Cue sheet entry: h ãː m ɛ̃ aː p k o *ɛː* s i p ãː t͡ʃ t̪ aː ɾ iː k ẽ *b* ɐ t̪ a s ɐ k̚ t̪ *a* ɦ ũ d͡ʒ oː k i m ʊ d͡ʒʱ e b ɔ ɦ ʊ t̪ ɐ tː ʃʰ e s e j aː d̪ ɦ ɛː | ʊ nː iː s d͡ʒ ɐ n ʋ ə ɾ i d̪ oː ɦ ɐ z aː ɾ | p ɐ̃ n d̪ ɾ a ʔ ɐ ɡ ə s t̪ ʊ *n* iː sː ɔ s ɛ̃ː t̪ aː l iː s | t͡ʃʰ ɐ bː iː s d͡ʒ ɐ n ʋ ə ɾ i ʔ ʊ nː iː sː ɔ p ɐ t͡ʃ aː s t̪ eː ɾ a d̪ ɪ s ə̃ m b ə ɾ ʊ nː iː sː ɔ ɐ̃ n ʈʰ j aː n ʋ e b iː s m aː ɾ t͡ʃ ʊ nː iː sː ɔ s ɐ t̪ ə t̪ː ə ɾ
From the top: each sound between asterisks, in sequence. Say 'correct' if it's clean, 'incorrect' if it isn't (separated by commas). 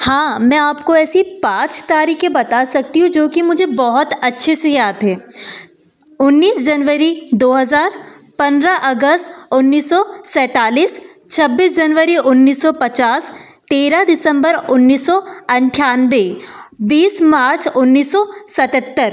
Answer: correct, correct, incorrect, incorrect